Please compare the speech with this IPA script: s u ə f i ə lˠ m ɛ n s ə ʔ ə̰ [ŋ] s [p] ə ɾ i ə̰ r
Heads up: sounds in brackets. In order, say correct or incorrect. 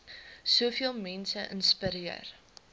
incorrect: n, correct

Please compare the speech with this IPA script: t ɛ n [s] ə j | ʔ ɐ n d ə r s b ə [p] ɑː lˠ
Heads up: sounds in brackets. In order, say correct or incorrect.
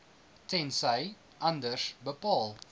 correct, correct

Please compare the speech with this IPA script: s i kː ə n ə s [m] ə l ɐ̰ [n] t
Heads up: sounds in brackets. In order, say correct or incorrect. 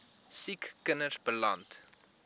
incorrect: b, correct

